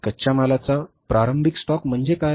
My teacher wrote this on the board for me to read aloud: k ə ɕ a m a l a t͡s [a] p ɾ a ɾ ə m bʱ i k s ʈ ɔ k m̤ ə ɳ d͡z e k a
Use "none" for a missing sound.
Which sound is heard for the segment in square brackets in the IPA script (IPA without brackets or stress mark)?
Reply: a